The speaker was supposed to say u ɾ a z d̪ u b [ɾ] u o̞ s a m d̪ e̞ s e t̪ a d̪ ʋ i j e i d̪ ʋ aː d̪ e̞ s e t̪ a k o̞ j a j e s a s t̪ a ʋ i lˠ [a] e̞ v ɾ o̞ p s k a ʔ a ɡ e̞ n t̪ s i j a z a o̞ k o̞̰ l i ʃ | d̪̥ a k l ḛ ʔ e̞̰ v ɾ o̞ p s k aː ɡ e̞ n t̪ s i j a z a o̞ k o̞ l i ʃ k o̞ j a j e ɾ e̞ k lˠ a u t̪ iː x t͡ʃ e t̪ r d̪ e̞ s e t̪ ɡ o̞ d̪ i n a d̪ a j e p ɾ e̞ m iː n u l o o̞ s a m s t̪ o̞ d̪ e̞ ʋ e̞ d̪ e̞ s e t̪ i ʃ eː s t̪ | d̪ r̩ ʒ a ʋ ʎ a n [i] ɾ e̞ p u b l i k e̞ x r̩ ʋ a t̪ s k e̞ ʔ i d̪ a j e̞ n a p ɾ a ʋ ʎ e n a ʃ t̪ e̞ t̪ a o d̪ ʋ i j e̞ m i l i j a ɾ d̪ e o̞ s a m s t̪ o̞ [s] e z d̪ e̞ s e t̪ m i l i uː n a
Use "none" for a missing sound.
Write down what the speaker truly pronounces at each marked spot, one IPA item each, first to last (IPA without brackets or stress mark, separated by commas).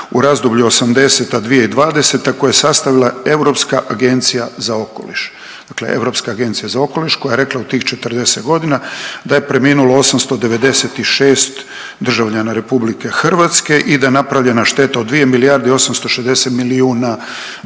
ʎ, a, a, ʃ